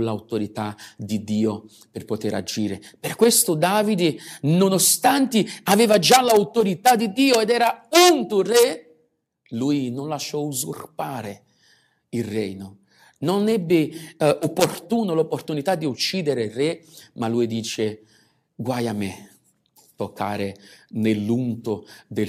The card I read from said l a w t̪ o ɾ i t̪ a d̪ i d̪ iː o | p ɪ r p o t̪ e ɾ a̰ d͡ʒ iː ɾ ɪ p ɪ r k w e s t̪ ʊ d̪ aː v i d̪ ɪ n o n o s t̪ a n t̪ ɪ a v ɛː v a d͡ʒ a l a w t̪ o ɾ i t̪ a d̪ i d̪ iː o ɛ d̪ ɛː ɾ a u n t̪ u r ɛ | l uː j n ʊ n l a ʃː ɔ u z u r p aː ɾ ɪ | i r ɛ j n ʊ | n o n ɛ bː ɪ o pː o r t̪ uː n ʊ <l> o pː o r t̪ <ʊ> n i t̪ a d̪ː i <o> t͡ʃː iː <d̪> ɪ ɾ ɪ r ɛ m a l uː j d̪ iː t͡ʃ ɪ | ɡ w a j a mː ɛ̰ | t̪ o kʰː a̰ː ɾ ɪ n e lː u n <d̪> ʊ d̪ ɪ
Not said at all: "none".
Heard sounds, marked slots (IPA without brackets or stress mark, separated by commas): l, u, u, d̪, t̪